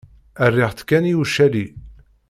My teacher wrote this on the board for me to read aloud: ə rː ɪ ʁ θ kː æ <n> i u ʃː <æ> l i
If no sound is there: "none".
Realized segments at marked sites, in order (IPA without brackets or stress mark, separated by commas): n, æ